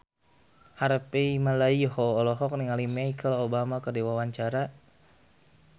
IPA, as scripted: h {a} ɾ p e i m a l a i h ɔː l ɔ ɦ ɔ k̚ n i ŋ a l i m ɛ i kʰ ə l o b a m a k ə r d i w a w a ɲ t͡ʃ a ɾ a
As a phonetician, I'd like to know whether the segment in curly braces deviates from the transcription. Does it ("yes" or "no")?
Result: no